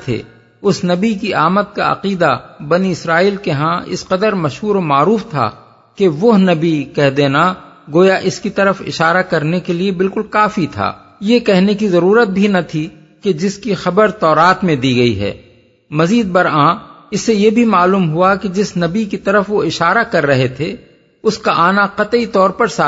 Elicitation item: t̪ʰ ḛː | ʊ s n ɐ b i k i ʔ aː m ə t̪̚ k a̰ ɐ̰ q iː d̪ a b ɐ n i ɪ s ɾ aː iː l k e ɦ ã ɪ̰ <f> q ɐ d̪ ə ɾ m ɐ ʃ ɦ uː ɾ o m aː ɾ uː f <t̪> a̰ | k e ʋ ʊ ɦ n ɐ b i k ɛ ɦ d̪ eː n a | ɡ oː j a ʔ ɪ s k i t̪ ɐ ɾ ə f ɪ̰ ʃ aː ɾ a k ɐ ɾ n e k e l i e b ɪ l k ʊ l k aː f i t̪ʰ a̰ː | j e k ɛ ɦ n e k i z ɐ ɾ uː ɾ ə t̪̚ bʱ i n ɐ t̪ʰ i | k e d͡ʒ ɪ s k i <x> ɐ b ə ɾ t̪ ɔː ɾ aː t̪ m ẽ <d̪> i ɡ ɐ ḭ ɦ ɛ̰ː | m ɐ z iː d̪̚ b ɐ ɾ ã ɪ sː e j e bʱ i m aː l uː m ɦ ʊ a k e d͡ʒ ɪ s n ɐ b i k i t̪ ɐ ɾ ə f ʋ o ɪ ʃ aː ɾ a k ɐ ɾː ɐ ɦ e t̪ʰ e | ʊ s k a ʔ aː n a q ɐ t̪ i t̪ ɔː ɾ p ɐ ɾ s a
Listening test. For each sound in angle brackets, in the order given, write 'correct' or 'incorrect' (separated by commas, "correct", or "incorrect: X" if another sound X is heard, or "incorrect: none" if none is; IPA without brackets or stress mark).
incorrect: s, incorrect: t̪ʰ, correct, correct